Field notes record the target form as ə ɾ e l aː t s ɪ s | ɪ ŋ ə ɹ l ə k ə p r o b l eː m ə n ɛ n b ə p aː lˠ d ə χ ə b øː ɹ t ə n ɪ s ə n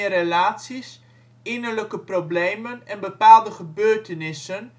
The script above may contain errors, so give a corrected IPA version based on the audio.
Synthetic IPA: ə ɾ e l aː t s i s | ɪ n ə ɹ l ə k ə p r o b l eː m ə n ɛ n b ə p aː lˠ d ə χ ə b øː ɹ t ə n ɪ s ə n